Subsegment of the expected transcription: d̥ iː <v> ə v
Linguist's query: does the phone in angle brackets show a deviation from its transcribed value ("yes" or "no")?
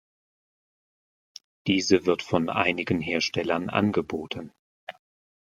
yes